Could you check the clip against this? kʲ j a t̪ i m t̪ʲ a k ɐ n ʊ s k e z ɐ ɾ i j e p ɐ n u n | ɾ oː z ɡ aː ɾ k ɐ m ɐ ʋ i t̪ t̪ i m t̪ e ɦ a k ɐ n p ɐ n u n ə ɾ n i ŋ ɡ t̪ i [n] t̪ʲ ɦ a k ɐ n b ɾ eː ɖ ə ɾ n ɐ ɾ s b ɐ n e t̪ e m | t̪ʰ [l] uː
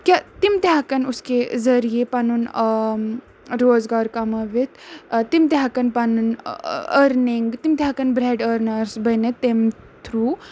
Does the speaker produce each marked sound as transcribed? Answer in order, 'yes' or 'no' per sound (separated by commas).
no, no